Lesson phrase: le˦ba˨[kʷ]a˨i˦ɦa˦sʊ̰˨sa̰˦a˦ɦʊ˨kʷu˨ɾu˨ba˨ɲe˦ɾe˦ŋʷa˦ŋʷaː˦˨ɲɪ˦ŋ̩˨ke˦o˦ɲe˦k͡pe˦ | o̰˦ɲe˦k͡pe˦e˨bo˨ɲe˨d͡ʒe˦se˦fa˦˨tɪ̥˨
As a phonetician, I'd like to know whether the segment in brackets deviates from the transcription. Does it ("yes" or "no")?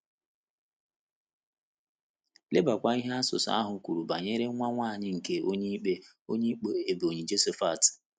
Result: no